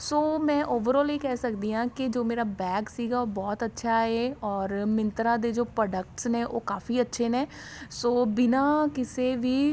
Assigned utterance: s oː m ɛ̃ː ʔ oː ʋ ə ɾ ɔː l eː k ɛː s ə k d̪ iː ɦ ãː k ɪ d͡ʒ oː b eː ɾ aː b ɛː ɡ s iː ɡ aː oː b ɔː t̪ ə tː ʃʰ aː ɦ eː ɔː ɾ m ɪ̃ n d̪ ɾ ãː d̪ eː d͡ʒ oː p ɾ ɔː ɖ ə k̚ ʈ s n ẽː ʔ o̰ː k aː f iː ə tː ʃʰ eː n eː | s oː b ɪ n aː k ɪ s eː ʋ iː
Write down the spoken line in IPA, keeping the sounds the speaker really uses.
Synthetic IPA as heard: s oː m ɛ̃ː ʔ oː ʋ ə ɾ ɔː l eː k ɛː s ə k d̪ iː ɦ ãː k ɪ d͡ʒ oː m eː ɾ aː b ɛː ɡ s iː ɡ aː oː b ɔː t̪ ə tː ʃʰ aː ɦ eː ɔː ɾ m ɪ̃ n t̪ ɾ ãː d̪ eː d͡ʒ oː p ɾ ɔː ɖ ə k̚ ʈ s n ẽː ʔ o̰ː k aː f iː ə tː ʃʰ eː n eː | s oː b ɪ n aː k ɪ s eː ʋ iː